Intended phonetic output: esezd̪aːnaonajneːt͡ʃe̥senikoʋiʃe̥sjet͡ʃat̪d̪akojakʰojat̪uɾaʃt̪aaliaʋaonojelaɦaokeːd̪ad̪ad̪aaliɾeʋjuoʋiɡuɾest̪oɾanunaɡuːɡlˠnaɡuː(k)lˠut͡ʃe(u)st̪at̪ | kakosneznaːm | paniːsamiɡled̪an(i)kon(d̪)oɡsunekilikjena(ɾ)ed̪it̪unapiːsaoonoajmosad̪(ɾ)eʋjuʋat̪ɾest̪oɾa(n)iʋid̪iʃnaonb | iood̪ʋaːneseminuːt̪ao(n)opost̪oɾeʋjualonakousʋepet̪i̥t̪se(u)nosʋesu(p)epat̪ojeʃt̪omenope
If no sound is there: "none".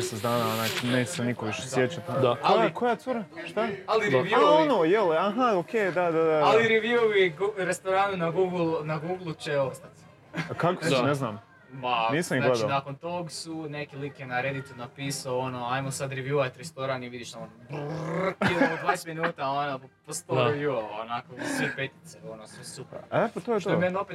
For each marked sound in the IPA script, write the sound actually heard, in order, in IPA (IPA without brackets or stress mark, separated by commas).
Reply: ɡ, o, a, t̪, ɾ, ɾ, n, n, o, p